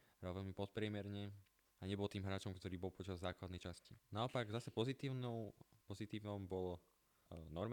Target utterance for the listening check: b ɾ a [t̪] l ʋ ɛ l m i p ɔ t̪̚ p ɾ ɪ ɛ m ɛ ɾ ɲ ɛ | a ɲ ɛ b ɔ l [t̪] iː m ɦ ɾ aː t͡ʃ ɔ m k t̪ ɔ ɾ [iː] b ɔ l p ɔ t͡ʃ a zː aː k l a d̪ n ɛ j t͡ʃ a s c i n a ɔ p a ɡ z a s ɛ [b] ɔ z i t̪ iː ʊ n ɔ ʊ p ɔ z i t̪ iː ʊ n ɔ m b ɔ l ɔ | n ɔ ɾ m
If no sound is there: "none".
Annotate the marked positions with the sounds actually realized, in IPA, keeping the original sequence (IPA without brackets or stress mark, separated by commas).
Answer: none, t̪, iː, p